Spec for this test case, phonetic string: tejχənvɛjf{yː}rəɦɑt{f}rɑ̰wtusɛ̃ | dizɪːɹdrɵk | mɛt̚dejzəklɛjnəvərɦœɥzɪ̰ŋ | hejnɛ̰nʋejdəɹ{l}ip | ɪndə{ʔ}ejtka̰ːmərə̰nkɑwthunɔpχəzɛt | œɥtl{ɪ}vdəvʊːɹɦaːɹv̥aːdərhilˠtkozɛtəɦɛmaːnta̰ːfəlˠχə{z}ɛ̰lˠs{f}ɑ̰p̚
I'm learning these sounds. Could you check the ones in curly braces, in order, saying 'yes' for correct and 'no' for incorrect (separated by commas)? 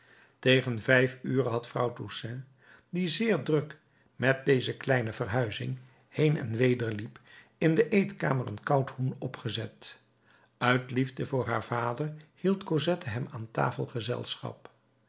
yes, yes, yes, yes, no, yes, no